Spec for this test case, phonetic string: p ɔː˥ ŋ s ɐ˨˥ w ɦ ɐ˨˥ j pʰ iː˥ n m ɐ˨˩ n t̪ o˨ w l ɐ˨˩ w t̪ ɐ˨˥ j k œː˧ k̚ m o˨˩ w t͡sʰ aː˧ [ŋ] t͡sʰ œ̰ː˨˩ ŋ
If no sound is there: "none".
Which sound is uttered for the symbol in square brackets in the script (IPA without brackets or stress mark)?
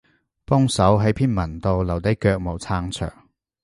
ŋ